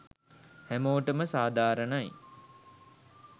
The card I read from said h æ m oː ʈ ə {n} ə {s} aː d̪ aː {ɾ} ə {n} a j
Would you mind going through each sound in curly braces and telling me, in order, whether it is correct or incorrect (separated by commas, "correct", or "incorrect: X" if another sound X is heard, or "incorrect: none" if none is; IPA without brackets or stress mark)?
incorrect: m, correct, correct, correct